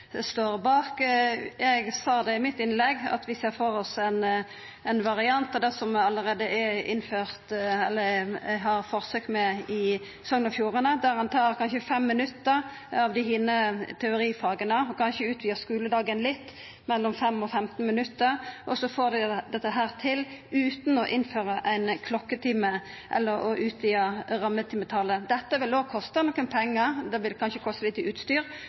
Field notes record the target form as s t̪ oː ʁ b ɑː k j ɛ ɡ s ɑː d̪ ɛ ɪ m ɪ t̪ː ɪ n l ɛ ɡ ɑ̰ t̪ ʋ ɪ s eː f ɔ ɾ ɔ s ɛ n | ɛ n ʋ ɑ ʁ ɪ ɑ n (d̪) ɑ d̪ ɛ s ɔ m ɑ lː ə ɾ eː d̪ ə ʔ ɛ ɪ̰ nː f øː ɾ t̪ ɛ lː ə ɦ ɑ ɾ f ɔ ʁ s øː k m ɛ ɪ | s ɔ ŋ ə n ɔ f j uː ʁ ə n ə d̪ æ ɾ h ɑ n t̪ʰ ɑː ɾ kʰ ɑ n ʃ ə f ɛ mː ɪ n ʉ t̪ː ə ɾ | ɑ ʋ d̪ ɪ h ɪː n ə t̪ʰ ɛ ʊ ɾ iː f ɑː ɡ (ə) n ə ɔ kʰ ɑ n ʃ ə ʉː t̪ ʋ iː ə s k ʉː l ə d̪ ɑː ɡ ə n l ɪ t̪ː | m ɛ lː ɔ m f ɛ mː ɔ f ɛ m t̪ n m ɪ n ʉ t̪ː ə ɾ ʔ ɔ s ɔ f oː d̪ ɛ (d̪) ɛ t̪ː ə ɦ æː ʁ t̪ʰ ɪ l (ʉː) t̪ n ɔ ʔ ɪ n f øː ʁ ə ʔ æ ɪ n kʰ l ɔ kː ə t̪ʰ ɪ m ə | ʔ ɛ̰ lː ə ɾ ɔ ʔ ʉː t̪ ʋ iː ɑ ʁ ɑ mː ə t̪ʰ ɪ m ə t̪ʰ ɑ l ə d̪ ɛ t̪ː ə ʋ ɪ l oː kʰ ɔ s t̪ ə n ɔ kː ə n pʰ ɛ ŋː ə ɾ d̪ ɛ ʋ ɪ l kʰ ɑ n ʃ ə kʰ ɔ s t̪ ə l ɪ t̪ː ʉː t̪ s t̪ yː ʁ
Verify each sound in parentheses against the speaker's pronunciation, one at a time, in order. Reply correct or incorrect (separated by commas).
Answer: incorrect, correct, correct, correct